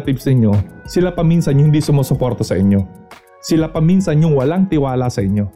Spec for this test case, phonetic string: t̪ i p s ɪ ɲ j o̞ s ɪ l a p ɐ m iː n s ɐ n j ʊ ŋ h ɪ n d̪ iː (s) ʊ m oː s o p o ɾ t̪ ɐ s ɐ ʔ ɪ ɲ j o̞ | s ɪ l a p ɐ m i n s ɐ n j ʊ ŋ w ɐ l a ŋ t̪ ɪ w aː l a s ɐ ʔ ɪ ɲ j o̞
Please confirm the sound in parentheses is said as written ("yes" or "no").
yes